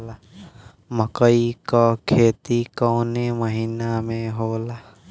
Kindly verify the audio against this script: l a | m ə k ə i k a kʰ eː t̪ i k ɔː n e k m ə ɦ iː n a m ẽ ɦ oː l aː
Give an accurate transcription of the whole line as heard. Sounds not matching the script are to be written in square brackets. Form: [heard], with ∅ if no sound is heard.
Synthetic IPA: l a | m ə k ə i k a kʰ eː t̪ i k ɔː n e [∅] m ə ɦ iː n a m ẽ ɦ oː l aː